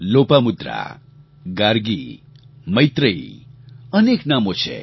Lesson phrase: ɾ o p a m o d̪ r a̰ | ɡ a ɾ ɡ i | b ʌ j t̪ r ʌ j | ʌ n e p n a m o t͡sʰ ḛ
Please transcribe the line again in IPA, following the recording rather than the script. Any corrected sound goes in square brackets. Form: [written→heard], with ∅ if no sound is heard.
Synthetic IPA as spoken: [ɾ→l] o p a m [o→u] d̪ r a̰ | ɡ a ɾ ɡ i | [b→m] ʌ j t̪ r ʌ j | ʌ n e [p→k] n a m o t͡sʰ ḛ

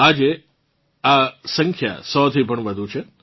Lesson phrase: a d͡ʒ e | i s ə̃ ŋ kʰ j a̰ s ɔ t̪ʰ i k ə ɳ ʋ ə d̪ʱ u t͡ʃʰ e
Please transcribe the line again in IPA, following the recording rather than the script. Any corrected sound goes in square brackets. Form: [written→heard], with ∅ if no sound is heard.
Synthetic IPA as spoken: a d͡ʒ e | [i→a] s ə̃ ŋ kʰ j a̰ s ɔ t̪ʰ i [k→p] ə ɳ ʋ ə d̪ʱ u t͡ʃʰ e

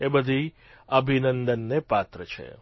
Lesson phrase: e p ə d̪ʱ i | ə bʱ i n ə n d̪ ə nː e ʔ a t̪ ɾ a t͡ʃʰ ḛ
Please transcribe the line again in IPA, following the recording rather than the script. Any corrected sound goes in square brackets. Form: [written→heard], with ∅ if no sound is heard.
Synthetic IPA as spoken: e [p→b] ə d̪ʱ i | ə bʱ i n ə n d̪ ə nː e [ʔ→p] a t̪ ɾ [a→ə] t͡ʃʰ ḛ

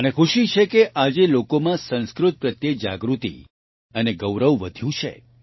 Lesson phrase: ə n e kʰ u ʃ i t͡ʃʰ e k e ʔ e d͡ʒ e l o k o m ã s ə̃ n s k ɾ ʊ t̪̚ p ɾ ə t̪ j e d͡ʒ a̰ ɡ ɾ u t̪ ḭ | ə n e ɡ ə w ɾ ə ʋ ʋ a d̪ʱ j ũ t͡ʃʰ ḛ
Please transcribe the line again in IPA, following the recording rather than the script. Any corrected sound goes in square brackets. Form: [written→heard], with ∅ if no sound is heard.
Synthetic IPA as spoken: ə n e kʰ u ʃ i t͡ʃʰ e k e ʔ [e→a] d͡ʒ e l o k o m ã s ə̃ n s k ɾ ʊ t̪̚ p ɾ ə t̪ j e d͡ʒ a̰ ɡ ɾ u t̪ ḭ | ə n e ɡ ə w ɾ ə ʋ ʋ [a→ə] d̪ʱ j ũ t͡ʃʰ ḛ

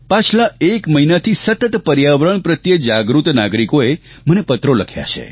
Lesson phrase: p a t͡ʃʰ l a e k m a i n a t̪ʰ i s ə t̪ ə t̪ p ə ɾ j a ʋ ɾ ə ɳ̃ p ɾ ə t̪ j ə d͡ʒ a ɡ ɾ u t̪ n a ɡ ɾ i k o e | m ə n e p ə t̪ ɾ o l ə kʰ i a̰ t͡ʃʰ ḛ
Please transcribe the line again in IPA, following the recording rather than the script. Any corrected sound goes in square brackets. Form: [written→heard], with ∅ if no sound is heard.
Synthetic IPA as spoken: p a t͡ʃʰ l a e k m [a→ə] i n a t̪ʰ i s ə t̪ ə t̪ p ə ɾ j a ʋ ɾ ə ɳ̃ p ɾ ə t̪ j ə d͡ʒ a ɡ ɾ u t̪ n a ɡ ɾ i k o e | m ə n e p ə t̪ ɾ o l ə kʰ [i→j] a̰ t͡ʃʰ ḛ

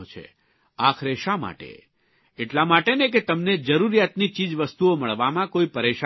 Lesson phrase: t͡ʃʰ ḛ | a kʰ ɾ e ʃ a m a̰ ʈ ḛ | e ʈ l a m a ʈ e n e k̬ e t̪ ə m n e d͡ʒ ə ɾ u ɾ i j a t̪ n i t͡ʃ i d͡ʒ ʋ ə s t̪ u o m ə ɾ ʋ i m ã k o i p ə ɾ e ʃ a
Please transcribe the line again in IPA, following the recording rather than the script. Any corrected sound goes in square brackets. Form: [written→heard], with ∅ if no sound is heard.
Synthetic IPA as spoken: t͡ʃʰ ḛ | a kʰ ɾ e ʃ a m a̰ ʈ ḛ | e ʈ l a m a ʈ e n e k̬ e t̪ ə m n e d͡ʒ ə ɾ u ɾ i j a t̪ n i t͡ʃ i d͡ʒ ʋ ə s t̪ u o m ə [ɾ→ɭ] ʋ [i→a] m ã k o i p ə ɾ e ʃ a

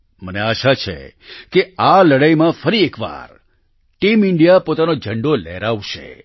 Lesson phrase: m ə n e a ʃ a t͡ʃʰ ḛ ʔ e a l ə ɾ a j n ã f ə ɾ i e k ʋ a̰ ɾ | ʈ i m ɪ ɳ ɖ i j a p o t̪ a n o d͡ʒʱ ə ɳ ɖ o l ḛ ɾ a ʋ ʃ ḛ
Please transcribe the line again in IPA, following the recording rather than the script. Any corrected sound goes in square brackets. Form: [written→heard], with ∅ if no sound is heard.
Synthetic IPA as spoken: m ə n e a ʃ a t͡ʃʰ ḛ [ʔ→k] e a l ə [ɾ→ɽ] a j [n→m] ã f ə ɾ i e k ʋ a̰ ɾ | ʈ i m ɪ ɳ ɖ i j a p o t̪ a n o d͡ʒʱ ə ɳ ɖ o l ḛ ɾ a ʋ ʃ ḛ

